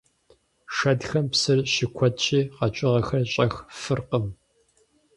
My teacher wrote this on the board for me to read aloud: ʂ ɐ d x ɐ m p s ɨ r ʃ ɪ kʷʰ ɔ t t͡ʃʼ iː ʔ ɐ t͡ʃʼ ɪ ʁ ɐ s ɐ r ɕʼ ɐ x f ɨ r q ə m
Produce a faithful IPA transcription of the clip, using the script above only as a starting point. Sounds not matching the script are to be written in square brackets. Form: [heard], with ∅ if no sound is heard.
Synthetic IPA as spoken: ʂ ɐ d x ɐ m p s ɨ r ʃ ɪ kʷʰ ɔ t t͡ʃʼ iː [q] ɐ t͡ʃʼ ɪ ʁ ɐ [x] ɐ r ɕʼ ɐ x f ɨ r q ə m